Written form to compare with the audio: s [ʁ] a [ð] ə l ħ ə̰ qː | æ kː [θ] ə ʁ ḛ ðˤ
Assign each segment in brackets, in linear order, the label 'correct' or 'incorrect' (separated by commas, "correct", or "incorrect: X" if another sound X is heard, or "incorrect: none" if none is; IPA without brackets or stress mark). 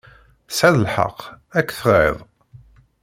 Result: incorrect: ʕ, correct, correct